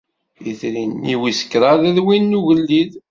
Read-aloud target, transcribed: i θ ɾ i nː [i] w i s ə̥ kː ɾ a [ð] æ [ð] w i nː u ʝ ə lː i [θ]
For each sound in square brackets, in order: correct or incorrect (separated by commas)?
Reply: correct, correct, correct, incorrect